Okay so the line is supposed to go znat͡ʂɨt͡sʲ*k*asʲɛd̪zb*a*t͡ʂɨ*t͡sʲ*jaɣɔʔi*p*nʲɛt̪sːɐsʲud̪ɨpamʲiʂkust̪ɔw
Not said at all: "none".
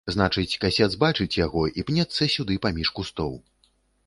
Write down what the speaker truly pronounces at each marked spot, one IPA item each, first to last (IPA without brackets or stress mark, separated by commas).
k, a, t͡sʲ, p